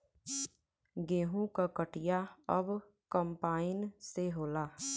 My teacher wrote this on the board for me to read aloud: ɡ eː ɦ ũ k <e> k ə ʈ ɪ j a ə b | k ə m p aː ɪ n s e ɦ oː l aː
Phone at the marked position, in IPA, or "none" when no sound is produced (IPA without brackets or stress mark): a